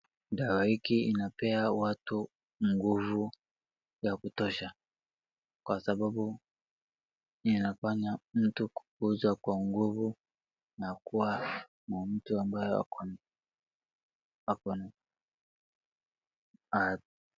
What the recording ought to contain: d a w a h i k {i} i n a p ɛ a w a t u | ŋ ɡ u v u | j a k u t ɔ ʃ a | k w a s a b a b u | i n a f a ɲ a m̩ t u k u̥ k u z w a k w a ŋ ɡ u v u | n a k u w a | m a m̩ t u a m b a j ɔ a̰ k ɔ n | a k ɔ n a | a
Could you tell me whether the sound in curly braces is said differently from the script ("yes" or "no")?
no